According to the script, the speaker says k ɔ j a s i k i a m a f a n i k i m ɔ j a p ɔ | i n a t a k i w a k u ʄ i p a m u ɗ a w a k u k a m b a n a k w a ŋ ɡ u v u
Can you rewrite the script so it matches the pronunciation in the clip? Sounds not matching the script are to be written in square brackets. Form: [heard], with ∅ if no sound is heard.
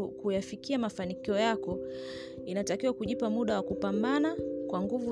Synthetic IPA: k [u] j a [f] i k i a m a f a n i k i [∅] ɔ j a [k] ɔ | i n a t a k i w a k u ʄ i p a m u ɗ a w a k u [p] a m b a n a k w a ŋ ɡ u v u